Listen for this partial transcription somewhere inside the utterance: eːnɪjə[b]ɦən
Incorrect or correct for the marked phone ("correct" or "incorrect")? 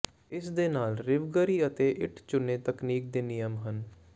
incorrect